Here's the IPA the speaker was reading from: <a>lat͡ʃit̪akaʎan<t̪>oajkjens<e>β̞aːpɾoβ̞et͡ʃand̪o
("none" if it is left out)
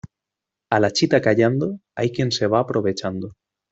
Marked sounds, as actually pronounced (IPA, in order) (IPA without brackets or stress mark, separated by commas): a, d̪, e